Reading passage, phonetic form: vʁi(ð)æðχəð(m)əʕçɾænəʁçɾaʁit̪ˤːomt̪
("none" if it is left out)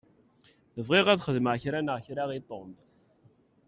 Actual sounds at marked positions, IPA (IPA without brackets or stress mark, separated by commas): ʁ, m